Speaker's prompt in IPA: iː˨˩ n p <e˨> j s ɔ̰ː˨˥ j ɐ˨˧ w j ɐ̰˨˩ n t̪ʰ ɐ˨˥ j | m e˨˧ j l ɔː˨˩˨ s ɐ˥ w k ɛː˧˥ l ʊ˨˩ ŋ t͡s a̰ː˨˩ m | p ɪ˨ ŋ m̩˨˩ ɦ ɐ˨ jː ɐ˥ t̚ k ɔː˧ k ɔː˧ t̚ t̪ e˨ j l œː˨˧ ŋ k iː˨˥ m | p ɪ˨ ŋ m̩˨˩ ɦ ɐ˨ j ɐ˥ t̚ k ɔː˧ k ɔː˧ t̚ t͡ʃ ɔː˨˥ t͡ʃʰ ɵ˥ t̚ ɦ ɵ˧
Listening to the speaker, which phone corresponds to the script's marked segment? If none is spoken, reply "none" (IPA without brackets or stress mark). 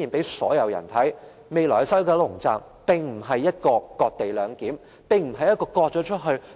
e˨˥